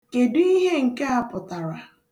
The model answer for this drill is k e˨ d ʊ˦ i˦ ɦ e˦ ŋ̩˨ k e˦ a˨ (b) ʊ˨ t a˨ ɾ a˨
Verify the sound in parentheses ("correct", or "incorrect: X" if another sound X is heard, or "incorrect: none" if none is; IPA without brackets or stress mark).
incorrect: p